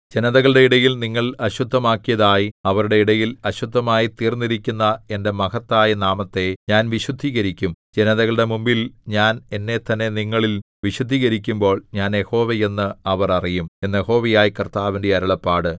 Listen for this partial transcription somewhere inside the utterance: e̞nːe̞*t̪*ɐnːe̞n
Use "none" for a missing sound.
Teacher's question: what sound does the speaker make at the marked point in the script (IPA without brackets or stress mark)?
t̪